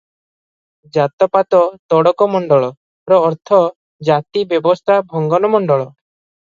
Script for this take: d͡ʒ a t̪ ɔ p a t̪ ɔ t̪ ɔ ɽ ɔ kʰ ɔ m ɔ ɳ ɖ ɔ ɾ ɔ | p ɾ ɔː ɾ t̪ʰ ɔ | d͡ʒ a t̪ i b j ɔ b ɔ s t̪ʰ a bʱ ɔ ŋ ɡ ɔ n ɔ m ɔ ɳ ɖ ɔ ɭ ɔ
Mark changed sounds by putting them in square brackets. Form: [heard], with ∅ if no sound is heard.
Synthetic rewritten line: d͡ʒ a t̪ ɔ p a t̪ ɔ t̪ ɔ ɽ ɔ [k] ɔ m ɔ ɳ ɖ ɔ [ɭ] ɔ | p ɾ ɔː ɾ t̪ʰ ɔ | d͡ʒ a t̪ i b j ɔ b ɔ s t̪ʰ a bʱ ɔ ŋ ɡ ɔ n ɔ m ɔ ɳ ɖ ɔ ɭ ɔ